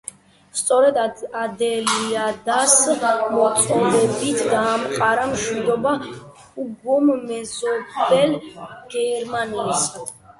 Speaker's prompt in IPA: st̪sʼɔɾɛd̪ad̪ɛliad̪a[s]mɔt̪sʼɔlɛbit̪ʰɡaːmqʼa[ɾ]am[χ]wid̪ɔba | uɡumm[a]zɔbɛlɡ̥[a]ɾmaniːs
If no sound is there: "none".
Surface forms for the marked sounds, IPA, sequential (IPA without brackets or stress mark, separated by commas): s, ɾ, ʃ, ɛ, ɛ